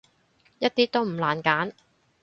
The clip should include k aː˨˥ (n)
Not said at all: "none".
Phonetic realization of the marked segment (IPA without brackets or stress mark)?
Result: n